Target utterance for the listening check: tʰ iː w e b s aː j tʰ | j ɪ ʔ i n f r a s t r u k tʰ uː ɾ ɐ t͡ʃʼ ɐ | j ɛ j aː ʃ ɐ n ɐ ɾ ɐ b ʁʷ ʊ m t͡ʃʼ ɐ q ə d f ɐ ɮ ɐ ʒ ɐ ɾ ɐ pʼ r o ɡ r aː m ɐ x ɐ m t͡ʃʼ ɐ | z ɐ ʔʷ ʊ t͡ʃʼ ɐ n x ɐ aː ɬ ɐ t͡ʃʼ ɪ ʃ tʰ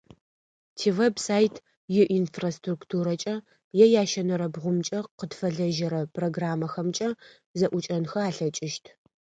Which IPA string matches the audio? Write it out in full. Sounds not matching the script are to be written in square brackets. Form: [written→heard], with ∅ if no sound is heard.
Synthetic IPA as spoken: tʰ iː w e b s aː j tʰ | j ɪ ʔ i n f r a s t r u k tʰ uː ɾ ɐ t͡ʃʼ ɐ | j ɛ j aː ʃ ɐ n ɐ ɾ ɐ b ʁʷ ʊ m t͡ʃʼ ɐ q ə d f ɐ ɮ ɐ ʒ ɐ ɾ ɐ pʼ r o ɡ r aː m ɐ x ɐ m t͡ʃʼ ɐ | z ɐ ʔʷ ʊ t͡ʃʼ ɐ n x ɐ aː ɬ ɐ t͡ʃʼ ɪ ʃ tʰ